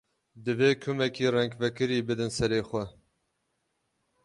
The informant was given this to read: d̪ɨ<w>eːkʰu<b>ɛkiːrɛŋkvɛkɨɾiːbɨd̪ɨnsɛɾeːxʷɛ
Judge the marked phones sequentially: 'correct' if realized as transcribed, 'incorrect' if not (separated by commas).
incorrect, incorrect